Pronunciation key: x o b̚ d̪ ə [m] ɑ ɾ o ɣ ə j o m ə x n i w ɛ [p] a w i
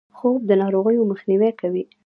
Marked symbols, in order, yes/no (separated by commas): no, no